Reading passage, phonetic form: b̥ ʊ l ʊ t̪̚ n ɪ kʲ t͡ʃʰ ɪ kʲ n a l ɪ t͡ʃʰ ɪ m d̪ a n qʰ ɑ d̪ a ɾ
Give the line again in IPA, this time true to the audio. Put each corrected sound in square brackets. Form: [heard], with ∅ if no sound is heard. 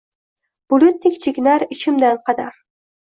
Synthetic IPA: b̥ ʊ l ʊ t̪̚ n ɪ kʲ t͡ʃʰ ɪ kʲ n a [ɾ] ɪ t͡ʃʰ ɪ m d̪ a n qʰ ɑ d̪ a ɾ